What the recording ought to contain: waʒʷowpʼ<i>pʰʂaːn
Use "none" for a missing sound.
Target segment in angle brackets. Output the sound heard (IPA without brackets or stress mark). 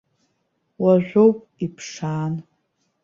i